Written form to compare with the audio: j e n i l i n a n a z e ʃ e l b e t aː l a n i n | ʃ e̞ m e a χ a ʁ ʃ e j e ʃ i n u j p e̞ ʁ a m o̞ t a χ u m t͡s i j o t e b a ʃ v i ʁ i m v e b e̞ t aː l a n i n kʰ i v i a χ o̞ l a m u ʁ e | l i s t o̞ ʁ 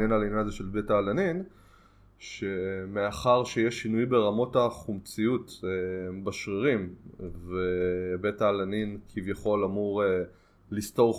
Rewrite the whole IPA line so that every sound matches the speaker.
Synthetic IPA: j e n a l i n a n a z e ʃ e l b e t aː l a n i n | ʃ e̞ m e a χ a ʁ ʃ e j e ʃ i n u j b e̞ ʁ a m o̞ t a χ u m t͡s i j u t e b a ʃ ʁ i ʁ i m v e b e̞ t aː l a n i n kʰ i v j a χ o̞ l a m u ʁ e | l i s t o̞ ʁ